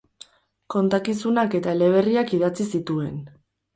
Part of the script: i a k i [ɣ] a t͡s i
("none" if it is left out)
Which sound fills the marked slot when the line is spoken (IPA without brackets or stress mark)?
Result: ð